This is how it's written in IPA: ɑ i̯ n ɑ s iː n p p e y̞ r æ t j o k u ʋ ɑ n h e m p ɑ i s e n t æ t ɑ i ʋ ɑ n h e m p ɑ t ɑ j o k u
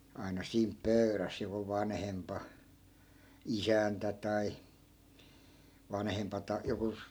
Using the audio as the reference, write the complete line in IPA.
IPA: ɑ i̯ n ɑ s iː m p p ø y̞ r æ s j o k u ʋ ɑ n h e m p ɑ i s æ n t æ t ɑ i ʋ ɑ n h e m p ɑ t ɑ j o k u